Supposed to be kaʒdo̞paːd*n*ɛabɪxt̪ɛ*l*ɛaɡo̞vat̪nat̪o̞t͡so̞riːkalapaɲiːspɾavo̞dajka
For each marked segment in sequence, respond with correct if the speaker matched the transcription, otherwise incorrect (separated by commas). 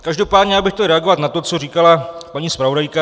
incorrect, incorrect